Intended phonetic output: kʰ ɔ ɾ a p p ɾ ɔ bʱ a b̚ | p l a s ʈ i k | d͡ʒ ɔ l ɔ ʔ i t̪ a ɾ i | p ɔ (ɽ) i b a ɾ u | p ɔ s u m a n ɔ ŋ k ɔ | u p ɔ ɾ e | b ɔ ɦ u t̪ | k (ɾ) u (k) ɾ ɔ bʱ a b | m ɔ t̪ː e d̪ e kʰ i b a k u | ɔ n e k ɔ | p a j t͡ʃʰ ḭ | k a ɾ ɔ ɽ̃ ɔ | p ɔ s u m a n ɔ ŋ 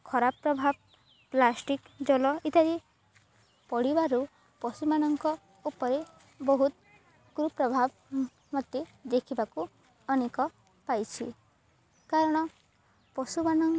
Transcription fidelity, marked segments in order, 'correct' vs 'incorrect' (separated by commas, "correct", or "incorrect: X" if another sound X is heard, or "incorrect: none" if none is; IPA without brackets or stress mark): correct, correct, incorrect: p